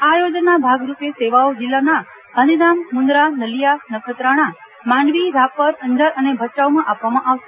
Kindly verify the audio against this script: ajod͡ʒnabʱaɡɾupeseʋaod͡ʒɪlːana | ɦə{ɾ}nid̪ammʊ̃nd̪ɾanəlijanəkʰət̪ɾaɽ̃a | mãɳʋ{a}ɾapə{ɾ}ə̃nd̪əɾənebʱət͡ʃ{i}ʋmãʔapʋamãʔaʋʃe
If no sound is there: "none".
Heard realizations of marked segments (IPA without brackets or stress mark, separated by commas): none, i, ɾ, a